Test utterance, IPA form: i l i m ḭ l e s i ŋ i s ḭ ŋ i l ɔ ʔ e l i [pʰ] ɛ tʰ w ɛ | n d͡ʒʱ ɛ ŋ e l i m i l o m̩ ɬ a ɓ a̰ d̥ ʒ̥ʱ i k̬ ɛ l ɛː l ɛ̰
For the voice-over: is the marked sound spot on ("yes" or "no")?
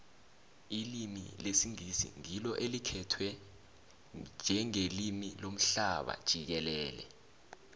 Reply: no